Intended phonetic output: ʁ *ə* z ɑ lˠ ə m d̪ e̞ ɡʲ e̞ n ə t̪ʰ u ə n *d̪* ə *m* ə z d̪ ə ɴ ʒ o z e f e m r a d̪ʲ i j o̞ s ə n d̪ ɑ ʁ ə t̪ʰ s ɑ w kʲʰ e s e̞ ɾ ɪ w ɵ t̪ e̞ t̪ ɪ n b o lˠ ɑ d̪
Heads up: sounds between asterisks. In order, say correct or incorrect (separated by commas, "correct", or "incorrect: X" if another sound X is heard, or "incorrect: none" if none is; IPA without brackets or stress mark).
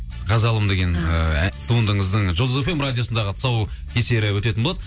incorrect: ɑ, correct, incorrect: ɴ